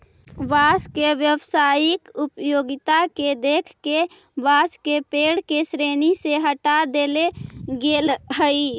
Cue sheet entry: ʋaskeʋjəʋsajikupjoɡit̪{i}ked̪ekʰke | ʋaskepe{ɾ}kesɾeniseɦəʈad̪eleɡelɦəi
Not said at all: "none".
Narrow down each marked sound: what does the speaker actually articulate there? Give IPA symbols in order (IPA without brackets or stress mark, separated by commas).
a, ɽ